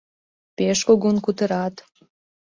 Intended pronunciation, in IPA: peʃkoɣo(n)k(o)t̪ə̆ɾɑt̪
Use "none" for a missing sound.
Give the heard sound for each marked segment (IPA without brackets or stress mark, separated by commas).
n, u